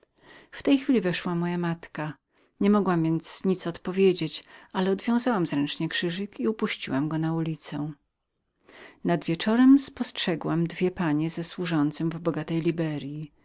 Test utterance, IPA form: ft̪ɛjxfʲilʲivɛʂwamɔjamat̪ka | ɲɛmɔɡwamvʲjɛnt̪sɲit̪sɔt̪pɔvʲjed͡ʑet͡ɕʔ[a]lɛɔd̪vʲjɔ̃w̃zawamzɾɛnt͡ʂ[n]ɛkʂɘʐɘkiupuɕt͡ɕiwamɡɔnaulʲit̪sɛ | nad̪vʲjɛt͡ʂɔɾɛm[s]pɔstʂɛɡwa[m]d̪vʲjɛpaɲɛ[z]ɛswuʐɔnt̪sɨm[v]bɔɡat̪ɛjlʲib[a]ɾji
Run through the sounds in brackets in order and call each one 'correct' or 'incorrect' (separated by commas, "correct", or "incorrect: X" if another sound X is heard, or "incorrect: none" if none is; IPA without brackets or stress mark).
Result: correct, incorrect: ɲ, correct, correct, correct, correct, incorrect: ɛ